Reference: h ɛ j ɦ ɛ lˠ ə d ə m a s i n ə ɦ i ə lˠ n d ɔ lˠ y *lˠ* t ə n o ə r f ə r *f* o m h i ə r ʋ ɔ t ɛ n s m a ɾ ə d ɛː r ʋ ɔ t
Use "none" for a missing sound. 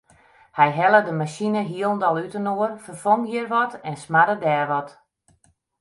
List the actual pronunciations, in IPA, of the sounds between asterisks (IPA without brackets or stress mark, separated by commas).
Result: none, f